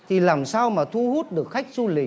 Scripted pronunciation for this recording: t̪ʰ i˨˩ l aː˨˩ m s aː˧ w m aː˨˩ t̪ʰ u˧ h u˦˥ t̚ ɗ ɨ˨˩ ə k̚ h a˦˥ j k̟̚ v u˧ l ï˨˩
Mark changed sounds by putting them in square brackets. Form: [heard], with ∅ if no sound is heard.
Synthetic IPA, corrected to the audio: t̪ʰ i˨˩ l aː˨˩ m s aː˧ w m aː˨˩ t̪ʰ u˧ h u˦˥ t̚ ɗ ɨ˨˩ ə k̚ [x] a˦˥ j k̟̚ [z] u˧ l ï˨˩